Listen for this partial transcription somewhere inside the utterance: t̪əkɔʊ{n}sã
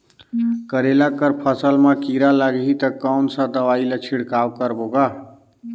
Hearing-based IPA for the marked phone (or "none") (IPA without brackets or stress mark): n